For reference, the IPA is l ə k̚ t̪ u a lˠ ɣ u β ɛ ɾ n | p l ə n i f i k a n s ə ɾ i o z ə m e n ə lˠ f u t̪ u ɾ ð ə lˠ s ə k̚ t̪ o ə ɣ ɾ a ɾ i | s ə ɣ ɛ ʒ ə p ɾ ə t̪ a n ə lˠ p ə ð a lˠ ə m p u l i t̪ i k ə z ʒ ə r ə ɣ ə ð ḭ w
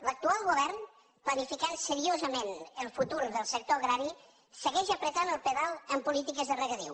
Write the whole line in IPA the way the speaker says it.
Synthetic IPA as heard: l ə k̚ t̪ u a lˠ ɣ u β ɛ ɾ n | p l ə n i f i k a n s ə ɾ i o z ə m e n ə lˠ f u t̪ u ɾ ð ə lˠ s ə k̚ t̪ o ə ɣ ɾ a ɾ i | s ə ɣ ɛ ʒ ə p ɾ ə t̪ a n ə lˠ p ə ð a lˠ ə m p u l i t̪ i k ə z ð ə r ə ɣ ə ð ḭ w